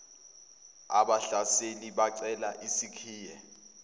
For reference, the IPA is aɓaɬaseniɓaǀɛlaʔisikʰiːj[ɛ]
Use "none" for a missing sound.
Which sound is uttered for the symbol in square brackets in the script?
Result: ɛ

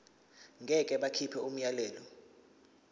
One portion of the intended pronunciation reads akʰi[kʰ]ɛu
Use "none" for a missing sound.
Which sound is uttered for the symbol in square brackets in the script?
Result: pʰ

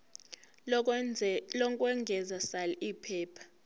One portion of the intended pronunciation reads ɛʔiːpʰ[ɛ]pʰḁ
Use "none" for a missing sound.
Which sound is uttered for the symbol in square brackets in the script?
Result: ɛː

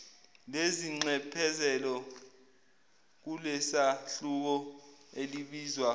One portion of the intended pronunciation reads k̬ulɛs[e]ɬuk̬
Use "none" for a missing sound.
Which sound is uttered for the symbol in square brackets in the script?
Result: a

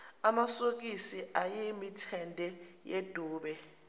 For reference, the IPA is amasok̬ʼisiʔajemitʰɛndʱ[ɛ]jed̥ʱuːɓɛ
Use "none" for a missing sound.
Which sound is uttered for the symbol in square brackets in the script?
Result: ɛ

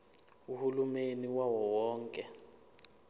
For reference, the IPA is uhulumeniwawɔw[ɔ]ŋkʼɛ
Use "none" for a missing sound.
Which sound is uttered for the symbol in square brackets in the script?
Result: ɔː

